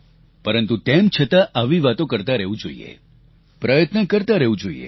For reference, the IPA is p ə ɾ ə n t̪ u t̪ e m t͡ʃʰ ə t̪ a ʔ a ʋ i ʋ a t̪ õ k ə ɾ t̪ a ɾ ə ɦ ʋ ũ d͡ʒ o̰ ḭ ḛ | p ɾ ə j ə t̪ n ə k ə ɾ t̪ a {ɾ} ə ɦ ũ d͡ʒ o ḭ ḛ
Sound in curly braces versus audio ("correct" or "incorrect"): correct